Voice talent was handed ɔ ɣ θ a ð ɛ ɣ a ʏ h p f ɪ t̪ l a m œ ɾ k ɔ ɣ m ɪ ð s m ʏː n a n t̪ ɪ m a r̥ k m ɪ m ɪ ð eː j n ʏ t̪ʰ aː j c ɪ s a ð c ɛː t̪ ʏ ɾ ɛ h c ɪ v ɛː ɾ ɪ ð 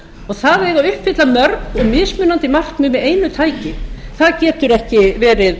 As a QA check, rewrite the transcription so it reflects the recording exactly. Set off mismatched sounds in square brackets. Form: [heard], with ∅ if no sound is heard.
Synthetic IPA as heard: ɔ ɣ θ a ð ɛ ɣ a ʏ h p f ɪ t̪ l a m œ ɾ k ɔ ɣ m ɪ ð s m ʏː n a n t̪ ɪ m a r̥ k m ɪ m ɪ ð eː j n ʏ t̪ʰ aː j c ɪ [θ] a ð c ɛː t̪ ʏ ɾ ɛ h c ɪ v ɛː ɾ ɪ ð